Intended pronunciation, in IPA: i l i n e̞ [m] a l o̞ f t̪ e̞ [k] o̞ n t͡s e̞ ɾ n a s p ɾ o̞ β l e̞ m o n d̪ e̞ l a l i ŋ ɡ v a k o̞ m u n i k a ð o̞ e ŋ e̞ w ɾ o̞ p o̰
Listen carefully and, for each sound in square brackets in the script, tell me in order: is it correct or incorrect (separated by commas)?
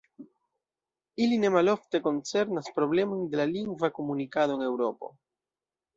correct, correct